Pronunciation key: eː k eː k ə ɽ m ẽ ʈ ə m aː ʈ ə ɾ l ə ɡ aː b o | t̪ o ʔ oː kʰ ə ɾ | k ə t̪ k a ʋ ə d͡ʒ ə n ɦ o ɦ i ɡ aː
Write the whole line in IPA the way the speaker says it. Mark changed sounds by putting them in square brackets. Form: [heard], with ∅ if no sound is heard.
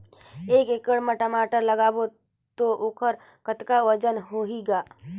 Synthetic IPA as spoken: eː k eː k ə ɽ m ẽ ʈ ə m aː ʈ ə ɾ l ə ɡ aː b o | t̪ o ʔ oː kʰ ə ɾ | k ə t̪ k a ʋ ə d͡ʒ ə n ɦ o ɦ i ɡ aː